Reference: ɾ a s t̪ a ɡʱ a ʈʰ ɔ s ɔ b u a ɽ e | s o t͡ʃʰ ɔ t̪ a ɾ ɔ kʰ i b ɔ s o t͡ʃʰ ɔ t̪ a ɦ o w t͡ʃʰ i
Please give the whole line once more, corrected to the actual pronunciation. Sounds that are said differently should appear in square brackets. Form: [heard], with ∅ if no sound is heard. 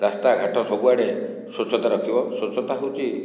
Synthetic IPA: ɾ a s t̪ a ɡʱ a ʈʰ ɔ s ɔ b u a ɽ e | s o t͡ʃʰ ɔ t̪ a ɾ ɔ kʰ i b ɔ s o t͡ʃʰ ɔ t̪ a ɦ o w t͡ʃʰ i